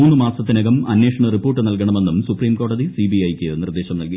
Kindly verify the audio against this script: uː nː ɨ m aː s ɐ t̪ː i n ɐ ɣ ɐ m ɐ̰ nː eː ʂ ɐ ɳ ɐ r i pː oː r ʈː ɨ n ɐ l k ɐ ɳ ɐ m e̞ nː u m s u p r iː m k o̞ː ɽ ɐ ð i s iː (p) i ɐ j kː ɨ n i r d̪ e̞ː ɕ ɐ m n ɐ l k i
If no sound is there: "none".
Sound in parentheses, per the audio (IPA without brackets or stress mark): b